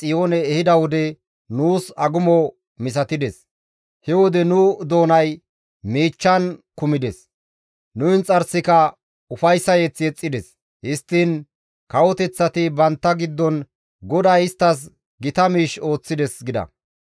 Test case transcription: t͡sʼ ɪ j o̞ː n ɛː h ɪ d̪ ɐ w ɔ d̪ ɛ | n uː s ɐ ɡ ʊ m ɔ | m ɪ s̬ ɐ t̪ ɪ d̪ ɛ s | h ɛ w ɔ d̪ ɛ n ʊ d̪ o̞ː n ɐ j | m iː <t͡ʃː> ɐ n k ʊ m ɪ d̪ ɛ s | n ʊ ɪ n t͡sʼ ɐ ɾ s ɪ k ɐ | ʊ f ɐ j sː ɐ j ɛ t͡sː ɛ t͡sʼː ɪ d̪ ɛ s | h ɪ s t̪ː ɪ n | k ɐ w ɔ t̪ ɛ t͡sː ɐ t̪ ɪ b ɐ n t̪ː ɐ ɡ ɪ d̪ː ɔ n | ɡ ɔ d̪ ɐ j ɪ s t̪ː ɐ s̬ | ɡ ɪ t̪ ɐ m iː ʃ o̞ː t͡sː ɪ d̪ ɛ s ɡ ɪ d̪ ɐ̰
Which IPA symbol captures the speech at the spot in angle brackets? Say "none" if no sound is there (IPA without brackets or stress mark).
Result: t͡ʃː